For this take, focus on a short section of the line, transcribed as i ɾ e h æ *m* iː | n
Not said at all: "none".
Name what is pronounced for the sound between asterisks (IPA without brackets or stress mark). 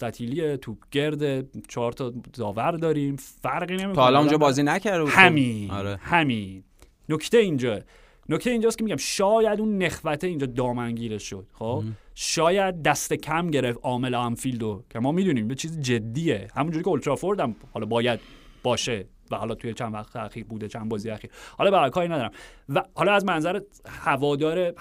m